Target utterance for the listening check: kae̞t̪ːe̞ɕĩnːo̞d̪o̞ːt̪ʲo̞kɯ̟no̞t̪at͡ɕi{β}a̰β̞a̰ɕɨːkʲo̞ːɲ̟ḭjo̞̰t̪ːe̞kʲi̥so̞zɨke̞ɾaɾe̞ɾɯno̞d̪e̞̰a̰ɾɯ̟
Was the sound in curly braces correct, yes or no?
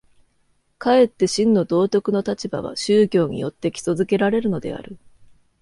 no